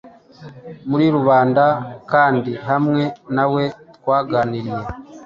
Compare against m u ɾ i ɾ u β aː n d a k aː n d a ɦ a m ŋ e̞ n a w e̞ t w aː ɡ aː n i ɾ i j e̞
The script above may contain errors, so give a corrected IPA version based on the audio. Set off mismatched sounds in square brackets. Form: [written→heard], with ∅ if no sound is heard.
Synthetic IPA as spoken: m u ɾ i ɾ u β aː n d a k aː n d [a→i] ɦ a m ŋ e̞ n a w e̞ t w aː ɡ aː n i ɾ i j e̞